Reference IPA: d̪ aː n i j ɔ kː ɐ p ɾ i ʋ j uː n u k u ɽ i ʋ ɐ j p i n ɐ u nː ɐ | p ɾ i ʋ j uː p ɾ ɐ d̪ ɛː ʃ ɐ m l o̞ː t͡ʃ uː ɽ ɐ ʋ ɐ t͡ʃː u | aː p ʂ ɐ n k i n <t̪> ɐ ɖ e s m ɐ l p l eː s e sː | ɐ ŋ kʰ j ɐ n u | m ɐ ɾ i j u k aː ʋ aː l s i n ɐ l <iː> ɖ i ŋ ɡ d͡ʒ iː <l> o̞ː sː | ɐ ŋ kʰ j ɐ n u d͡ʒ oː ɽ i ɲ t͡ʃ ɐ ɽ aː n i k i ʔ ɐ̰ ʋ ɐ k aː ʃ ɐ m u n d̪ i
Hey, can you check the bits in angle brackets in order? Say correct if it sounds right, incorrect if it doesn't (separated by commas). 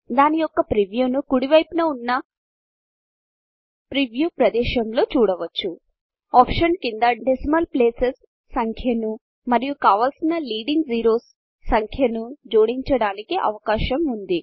incorrect, correct, incorrect